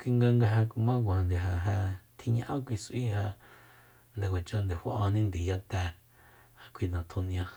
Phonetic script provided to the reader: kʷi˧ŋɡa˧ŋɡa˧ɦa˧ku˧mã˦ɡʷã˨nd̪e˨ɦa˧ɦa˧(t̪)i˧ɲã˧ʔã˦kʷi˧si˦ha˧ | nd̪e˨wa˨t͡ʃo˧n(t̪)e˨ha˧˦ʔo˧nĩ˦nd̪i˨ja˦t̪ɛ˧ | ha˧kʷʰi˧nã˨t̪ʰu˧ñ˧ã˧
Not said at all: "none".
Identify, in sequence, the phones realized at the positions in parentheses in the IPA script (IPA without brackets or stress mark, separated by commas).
t̪ʰ, d̪